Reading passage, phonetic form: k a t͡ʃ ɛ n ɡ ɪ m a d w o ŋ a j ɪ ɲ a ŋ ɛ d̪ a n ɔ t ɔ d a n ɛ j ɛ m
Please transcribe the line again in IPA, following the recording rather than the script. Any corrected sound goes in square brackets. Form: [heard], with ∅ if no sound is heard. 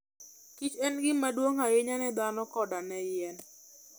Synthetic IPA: k [i] t͡ʃ ɛ n ɡ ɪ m a d w o ŋ a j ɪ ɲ a [n] ɛ d̪ a n ɔ [k] ɔ d a n ɛ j ɛ [n]